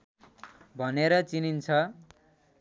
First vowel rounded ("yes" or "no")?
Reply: no